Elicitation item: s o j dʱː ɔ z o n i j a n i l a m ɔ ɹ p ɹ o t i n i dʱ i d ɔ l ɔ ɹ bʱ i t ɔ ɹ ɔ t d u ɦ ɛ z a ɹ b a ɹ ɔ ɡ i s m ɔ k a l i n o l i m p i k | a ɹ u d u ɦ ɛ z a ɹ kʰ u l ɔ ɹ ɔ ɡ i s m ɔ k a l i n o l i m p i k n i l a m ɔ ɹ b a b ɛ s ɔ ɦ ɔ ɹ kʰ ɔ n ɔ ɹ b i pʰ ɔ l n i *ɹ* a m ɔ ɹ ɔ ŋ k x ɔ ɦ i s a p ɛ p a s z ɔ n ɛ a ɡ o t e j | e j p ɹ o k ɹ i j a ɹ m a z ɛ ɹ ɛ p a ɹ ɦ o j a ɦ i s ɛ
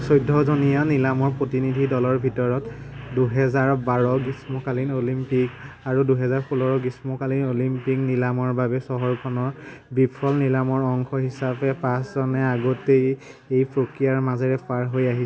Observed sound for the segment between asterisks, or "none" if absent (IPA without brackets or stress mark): l